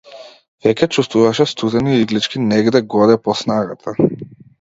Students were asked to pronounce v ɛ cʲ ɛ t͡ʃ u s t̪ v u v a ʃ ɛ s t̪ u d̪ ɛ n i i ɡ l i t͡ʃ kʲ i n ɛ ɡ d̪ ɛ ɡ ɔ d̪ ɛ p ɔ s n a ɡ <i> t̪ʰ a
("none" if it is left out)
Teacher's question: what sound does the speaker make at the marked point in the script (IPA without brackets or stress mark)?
a